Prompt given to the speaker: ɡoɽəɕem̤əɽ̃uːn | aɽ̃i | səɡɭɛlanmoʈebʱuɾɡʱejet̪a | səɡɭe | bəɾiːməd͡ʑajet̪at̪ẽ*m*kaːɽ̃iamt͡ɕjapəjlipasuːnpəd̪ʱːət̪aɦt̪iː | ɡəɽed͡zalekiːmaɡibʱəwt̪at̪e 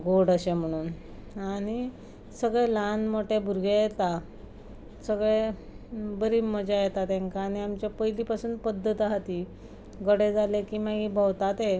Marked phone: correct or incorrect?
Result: incorrect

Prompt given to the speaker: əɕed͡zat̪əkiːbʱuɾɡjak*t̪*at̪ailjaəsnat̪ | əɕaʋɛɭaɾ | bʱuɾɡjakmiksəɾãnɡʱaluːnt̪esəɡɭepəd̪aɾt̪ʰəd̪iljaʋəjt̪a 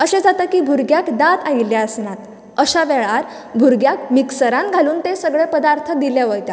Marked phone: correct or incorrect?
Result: incorrect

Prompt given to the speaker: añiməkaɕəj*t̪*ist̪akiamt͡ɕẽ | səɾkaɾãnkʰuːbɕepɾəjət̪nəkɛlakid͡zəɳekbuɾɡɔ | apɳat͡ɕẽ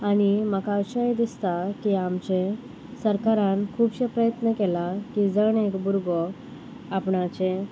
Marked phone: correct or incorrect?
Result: incorrect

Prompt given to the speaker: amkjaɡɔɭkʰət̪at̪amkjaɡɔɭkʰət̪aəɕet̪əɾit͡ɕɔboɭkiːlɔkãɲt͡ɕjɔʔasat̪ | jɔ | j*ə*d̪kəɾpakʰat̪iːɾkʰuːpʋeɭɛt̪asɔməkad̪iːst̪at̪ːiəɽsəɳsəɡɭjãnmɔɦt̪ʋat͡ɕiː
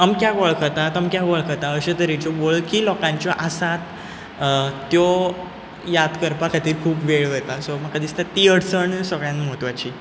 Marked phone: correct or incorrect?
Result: incorrect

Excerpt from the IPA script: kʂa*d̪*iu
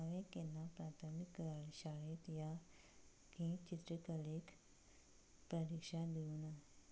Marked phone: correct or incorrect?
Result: correct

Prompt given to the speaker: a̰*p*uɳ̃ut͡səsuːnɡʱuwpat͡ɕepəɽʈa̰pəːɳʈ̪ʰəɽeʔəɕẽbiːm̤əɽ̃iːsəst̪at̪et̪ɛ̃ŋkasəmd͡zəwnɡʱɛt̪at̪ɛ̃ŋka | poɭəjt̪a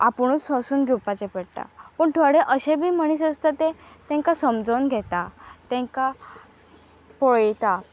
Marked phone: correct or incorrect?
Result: correct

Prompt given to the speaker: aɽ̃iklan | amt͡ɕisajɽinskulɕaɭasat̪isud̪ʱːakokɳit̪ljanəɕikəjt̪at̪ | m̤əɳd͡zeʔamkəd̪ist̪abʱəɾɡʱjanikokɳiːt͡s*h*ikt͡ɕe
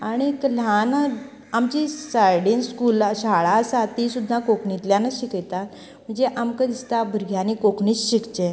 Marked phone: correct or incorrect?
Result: incorrect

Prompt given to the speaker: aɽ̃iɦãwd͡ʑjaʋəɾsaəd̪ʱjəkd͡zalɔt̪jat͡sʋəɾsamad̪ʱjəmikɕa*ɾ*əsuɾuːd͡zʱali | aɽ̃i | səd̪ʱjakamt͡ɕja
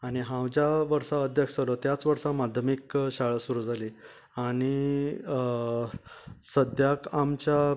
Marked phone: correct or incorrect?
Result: incorrect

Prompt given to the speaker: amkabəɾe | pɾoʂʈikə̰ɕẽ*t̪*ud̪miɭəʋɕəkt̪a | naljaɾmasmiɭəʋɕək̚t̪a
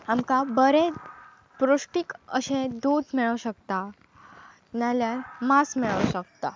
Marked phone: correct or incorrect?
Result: incorrect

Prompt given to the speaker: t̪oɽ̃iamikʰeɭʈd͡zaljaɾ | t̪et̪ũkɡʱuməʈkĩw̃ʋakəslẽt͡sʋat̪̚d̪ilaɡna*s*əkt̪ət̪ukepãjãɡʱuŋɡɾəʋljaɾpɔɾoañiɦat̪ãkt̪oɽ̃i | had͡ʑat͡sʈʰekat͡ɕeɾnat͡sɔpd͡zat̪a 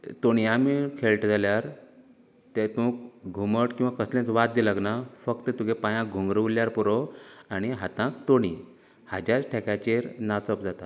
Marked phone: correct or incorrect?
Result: incorrect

